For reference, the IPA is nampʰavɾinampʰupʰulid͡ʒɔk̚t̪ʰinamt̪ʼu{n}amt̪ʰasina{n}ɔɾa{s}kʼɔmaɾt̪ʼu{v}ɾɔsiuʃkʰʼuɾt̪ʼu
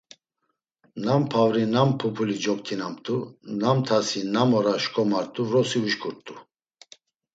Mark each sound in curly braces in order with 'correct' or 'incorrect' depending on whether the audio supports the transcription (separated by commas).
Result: correct, incorrect, incorrect, correct